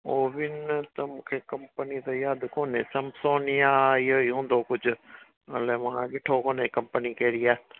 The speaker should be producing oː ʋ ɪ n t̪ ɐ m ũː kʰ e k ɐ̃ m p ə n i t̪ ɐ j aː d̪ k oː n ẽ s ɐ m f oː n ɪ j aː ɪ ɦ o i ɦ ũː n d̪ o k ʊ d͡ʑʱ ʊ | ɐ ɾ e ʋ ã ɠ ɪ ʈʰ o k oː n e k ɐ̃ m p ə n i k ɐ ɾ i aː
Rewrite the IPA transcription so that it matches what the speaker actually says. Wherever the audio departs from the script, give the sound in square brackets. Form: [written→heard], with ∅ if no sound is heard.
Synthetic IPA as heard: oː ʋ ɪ n t̪ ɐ m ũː kʰ e k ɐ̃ m p ə n i t̪ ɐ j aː d̪ k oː n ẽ s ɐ m [f→s] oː n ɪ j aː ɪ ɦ o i ɦ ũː n d̪ o k ʊ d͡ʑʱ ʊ | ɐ [ɾ→l] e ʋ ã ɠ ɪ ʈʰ o k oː n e k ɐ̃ m p ə n i k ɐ ɾ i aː